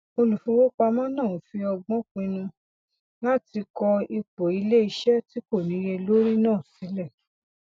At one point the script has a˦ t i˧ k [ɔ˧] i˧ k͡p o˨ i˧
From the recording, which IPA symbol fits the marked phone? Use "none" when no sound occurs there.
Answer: ɔ˧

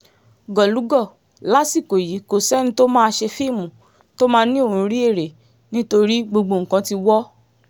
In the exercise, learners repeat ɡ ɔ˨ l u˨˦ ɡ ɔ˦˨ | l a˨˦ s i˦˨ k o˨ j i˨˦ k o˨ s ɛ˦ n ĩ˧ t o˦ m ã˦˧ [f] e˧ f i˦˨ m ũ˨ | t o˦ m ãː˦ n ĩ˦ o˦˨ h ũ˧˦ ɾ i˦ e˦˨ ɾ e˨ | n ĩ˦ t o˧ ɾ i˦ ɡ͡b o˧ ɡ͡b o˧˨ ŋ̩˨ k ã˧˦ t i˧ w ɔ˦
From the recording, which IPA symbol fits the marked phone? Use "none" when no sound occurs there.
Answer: ʃ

